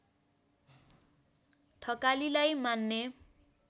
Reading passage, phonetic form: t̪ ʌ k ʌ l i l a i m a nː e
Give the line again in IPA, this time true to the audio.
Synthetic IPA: t̪ʰ ʌ k a l i l a j m a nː e